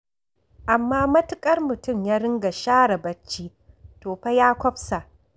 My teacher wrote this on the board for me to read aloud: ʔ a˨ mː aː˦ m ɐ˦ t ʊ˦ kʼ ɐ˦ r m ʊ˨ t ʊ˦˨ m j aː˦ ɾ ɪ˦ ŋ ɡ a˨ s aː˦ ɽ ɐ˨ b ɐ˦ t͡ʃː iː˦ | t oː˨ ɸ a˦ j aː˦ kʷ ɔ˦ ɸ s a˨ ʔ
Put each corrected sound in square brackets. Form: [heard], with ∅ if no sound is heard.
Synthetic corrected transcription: ʔ a˨ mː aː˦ m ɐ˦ t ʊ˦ kʼ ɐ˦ r m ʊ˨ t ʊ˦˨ m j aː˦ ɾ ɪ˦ ŋ ɡ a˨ [ʃ] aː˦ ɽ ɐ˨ b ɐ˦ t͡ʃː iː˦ | t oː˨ ɸ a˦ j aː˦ kʷ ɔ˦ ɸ s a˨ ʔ